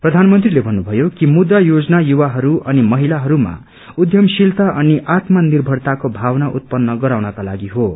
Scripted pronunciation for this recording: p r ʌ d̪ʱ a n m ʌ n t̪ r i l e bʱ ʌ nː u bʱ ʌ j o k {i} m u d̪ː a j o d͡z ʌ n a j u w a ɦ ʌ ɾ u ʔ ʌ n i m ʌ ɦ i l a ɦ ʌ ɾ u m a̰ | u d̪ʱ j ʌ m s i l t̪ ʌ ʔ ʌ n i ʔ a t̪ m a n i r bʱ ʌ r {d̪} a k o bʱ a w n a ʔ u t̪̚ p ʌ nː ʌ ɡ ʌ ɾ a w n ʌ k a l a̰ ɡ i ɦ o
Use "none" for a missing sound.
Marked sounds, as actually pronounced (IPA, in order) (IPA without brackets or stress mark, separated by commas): i, t̪